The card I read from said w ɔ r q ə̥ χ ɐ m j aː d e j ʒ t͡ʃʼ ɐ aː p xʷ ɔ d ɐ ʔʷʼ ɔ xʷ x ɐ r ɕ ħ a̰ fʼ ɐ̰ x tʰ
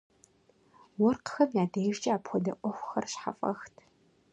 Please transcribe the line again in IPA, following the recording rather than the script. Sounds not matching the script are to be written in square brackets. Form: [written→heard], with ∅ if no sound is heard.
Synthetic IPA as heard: w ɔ r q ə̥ [χ→x] ɐ m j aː d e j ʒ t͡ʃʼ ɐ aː p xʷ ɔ d ɐ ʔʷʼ ɔ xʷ x ɐ r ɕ ħ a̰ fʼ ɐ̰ x tʰ